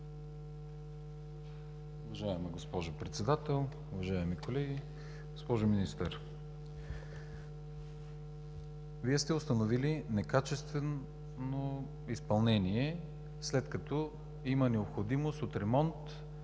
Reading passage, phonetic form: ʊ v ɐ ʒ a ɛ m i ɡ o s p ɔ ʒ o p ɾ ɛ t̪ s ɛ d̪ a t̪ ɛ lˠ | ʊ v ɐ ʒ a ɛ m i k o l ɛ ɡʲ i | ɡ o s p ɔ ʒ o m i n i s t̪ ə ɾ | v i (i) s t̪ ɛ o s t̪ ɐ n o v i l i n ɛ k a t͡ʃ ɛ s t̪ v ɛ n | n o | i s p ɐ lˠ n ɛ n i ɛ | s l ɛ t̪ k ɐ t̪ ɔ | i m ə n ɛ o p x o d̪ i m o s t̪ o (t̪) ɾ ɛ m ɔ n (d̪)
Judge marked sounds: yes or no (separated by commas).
no, yes, no